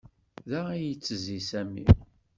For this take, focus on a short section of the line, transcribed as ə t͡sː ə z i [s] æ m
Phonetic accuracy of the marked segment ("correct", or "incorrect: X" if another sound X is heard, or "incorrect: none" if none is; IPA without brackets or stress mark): correct